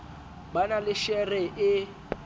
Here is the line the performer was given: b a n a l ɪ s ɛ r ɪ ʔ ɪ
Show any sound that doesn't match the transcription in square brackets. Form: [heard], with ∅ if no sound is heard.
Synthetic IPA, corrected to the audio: b a n a l ɪ [ʃ] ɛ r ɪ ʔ ɪ